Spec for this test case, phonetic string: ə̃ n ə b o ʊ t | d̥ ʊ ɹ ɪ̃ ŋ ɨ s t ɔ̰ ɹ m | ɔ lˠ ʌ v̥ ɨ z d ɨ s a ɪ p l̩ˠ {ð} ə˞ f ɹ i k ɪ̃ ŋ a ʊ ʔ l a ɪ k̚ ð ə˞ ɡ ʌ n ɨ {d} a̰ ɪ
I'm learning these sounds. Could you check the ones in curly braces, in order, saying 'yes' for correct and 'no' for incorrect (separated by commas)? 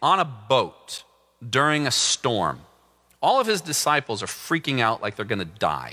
no, yes